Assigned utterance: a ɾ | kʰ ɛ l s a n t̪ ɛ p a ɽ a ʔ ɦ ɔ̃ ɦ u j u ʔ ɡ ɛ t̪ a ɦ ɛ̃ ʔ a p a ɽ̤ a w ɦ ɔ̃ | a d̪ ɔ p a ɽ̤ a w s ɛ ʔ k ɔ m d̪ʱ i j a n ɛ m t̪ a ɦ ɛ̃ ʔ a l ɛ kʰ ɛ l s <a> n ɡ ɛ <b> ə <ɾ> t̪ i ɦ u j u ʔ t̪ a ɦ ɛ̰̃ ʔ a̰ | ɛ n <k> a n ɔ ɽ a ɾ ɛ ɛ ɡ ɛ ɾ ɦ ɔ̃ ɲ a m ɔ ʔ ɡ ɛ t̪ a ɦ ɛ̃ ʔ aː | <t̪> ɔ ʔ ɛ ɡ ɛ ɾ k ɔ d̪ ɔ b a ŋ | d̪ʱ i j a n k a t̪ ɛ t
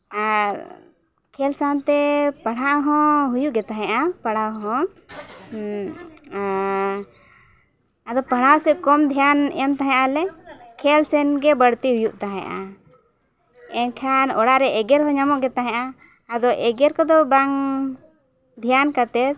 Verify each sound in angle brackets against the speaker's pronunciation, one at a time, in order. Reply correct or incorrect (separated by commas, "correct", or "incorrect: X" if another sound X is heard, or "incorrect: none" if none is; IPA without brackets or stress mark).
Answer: incorrect: ɛ, correct, incorrect: ɽ, incorrect: kʰ, incorrect: d̪